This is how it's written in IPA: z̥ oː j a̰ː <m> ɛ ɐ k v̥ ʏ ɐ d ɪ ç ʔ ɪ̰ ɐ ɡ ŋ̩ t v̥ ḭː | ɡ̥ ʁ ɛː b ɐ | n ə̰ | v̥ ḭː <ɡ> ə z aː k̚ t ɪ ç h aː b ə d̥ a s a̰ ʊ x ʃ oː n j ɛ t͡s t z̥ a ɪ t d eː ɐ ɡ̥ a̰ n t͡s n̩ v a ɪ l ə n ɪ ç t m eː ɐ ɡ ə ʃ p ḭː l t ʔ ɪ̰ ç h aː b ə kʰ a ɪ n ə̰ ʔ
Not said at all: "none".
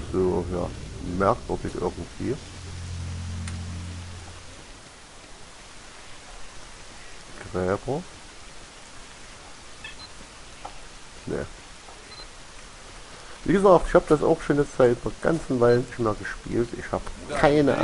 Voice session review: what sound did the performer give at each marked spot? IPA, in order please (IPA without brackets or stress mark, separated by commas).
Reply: m, ɡ